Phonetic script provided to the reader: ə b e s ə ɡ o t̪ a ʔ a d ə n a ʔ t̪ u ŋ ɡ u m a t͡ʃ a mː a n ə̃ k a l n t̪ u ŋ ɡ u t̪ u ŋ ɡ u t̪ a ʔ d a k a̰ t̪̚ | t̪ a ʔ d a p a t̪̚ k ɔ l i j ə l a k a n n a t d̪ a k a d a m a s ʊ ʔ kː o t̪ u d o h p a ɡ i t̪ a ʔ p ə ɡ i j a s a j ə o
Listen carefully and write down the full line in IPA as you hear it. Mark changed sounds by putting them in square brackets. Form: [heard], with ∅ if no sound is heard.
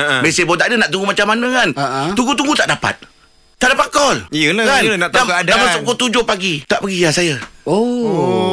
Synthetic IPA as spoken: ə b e s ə [b] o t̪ a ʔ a d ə n a ʔ t̪ u ŋ ɡ u m a t͡ʃ a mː a n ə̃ k a [∅] n t̪ u ŋ ɡ u t̪ u ŋ ɡ u t̪ a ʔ d a [p] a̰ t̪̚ | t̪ a ʔ d a p a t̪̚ k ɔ l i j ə l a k a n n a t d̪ a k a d a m a s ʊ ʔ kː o t̪ u [d͡ʒ] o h p a ɡ i t̪ a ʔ p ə ɡ i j a s a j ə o